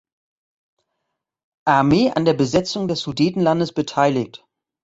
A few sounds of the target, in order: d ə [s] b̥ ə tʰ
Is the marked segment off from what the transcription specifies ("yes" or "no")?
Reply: no